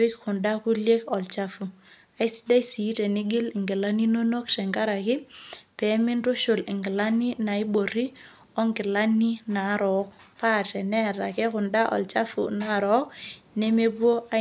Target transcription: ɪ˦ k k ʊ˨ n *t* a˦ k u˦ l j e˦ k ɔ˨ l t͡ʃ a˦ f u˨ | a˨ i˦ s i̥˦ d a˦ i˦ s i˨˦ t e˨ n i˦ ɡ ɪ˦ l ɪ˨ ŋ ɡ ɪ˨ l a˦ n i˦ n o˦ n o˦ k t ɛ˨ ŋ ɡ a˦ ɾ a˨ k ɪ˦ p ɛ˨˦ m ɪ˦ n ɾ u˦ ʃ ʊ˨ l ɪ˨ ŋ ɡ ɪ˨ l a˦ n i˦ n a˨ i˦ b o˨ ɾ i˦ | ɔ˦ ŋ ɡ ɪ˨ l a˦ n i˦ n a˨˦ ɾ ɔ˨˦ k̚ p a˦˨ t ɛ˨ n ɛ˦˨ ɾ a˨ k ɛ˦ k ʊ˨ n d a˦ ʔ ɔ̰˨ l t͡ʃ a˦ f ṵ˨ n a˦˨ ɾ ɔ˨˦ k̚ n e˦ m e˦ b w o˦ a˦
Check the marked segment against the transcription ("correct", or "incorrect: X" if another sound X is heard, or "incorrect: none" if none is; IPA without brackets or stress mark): incorrect: d